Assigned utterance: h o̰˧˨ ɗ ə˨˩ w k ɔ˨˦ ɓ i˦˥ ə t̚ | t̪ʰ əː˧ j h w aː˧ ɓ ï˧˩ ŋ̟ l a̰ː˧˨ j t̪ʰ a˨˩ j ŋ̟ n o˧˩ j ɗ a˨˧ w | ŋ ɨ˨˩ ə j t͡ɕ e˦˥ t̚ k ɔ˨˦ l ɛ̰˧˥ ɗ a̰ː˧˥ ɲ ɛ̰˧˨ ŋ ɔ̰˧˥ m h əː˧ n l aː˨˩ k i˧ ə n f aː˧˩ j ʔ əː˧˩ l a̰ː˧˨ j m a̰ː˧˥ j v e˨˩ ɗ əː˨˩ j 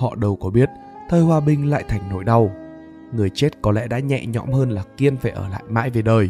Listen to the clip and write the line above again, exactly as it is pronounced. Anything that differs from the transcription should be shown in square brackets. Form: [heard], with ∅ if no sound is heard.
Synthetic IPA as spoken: h [ɔ̰˧˨] ɗ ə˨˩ w k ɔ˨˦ ɓ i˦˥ ə t̚ | t̪ʰ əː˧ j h w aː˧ ɓ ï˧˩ ŋ̟ l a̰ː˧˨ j t̪ʰ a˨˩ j ŋ̟ n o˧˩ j ɗ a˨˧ w | ŋ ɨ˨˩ ə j t͡ɕ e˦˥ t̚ k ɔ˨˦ l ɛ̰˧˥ ɗ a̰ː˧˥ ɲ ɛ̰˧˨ [ɲ] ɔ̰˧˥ m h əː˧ n l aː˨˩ k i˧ ə n f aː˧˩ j ʔ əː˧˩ l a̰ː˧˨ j m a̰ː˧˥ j v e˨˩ ɗ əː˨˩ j